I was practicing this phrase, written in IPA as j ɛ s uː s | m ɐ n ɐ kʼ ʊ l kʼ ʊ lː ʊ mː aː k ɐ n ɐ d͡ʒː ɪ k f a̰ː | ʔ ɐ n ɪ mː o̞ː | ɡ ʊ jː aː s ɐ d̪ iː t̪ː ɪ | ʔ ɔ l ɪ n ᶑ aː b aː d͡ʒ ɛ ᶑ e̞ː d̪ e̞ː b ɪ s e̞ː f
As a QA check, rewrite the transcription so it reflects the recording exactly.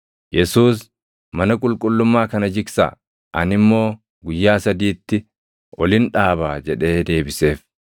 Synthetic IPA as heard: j ɛ s uː s | m ɐ n ɐ kʼ ʊ l kʼ ʊ lː ʊ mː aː k ɐ n ɐ d͡ʒ ɪ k s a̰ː | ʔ ɐ n ɪ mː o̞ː | ɡ ʊ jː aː s ɐ d̪ iː t̪ː ɪ | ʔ ɔ l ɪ n ᶑ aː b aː d͡ʒ ɛ ᶑ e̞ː d̪ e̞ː b ɪ s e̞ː f